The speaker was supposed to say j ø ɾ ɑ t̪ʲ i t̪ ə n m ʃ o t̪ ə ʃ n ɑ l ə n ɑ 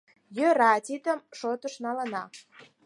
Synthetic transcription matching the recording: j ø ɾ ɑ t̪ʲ i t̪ ə m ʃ o t̪ ə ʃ n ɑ l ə n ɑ